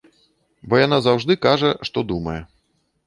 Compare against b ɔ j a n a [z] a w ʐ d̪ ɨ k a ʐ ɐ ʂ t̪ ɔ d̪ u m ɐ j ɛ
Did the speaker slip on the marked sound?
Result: no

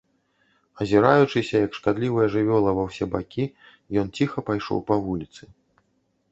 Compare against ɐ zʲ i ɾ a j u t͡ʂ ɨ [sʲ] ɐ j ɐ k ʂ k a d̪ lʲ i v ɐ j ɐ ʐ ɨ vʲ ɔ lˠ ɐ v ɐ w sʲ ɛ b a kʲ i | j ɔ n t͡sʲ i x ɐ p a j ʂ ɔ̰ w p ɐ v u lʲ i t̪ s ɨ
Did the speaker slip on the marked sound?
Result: no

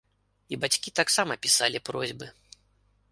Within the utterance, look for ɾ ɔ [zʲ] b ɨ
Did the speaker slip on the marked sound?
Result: no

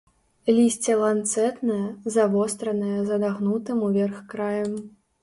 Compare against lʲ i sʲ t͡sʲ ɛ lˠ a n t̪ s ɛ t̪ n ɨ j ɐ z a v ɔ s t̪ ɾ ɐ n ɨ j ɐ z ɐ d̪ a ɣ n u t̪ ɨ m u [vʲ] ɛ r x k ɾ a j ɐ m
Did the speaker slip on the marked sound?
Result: no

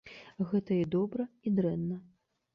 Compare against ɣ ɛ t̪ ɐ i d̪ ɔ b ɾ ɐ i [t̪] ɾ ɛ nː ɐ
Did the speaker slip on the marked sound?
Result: yes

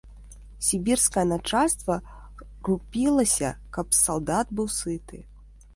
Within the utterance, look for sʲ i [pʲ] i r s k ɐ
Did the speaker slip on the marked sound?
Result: yes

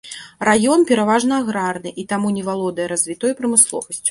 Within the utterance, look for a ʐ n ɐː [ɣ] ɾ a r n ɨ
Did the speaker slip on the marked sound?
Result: no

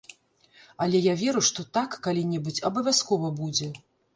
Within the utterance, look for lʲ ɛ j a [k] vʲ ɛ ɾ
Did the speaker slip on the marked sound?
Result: yes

